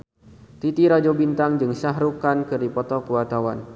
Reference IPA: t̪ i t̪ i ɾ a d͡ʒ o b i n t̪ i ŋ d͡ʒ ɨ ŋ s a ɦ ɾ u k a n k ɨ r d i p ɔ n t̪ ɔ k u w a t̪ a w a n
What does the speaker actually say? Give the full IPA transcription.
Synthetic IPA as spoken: t̪ i t̪ i ɾ a d͡ʒ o b i n t̪ a ŋ d͡ʒ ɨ ŋ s a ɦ ɾ u k a n k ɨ r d i p ɔ t̪ ɔ k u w a t̪ a w a n